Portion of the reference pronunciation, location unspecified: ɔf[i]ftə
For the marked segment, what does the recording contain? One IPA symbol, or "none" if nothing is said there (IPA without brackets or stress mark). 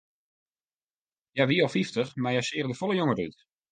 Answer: i